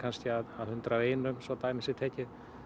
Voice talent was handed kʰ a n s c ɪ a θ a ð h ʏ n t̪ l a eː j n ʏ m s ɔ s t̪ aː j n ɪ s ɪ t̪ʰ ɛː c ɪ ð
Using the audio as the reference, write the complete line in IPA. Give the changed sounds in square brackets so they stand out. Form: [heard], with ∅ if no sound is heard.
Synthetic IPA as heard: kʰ a n s c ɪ a [ð] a ð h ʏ n t̪ [ɾ] a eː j n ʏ m s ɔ [∅] t̪ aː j [m] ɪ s ɪ t̪ʰ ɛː c ɪ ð